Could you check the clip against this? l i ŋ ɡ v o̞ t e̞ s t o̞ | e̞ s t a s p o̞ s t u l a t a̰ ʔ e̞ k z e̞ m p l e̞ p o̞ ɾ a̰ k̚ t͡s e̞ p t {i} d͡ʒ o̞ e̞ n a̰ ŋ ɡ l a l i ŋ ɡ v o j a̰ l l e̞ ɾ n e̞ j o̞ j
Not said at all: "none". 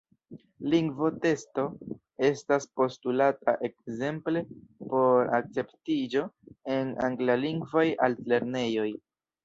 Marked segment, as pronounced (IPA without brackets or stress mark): i